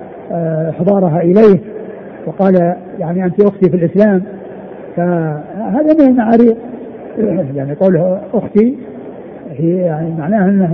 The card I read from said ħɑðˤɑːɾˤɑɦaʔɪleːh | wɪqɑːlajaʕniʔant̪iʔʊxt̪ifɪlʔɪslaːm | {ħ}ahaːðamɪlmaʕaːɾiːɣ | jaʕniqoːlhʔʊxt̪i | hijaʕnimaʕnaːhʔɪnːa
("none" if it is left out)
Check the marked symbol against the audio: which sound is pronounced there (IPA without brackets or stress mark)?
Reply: f